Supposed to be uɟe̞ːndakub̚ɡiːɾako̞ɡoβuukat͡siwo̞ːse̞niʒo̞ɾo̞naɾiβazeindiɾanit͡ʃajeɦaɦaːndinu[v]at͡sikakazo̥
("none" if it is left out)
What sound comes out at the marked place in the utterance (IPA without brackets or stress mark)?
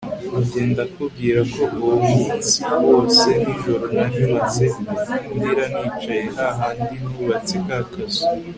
β